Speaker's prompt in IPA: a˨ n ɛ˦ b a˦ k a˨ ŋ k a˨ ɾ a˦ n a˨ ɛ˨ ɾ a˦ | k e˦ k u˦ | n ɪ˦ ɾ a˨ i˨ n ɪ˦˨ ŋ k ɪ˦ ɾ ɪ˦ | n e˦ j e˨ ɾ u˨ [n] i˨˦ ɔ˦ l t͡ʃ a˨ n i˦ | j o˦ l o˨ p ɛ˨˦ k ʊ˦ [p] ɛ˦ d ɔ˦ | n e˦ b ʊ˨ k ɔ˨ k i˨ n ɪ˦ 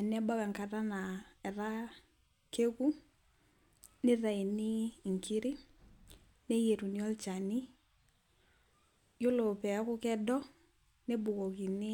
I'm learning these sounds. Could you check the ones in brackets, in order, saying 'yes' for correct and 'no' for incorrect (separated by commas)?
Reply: yes, no